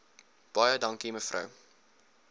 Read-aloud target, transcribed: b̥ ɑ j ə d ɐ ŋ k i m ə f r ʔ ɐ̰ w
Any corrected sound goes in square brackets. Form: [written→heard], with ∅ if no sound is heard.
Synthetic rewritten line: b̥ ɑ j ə d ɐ ŋ k i m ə f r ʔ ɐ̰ w